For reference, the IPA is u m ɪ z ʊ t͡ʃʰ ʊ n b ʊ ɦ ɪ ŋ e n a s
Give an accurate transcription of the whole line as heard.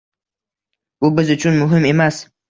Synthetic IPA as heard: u b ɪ z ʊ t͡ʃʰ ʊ n m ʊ ɦ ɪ m e m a s